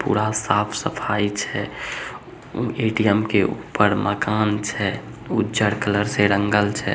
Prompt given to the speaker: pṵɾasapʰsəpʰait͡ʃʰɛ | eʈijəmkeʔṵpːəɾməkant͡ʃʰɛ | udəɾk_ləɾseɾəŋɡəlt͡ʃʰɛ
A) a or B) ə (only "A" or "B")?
B